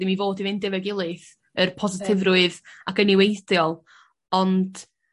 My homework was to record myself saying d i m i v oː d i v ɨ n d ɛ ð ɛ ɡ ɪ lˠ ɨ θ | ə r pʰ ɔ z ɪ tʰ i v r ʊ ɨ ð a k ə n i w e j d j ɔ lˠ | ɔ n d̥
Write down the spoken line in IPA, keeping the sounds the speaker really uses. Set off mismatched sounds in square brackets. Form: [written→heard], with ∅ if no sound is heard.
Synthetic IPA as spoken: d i m i v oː d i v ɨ n d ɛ [ð→v] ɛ ɡ ɪ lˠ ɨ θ | ə r pʰ ɔ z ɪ tʰ [i→ɪ] v r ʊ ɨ ð a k ə n i w e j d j ɔ lˠ | ɔ n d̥